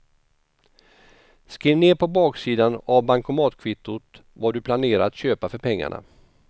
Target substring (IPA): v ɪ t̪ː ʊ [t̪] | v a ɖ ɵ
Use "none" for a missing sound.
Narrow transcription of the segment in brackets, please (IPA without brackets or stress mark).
t̪